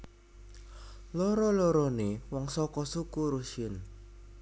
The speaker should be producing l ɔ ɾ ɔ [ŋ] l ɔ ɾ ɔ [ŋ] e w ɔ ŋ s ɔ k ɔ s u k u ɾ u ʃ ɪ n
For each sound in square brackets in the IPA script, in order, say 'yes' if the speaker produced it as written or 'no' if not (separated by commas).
no, no